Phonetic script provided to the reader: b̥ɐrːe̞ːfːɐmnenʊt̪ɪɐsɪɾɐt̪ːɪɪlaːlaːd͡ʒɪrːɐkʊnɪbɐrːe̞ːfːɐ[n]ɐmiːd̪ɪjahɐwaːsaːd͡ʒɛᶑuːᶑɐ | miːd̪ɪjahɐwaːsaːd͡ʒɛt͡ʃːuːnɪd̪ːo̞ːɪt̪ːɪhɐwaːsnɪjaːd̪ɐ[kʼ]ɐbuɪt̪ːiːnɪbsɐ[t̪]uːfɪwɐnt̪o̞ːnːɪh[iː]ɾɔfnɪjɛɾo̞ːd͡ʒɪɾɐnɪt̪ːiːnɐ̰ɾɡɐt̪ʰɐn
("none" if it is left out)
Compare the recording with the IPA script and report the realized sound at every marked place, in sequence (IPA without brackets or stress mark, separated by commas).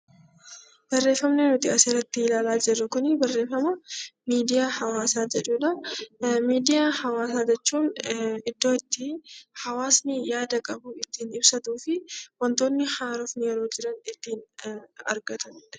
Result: m, kʼ, t̪, aː